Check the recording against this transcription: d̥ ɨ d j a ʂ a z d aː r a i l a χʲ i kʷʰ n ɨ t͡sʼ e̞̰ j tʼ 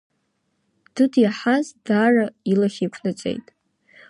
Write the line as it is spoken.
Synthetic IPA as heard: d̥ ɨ d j a ħ a z d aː r a i l a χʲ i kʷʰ n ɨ t͡sʼ e̞̰ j tʼ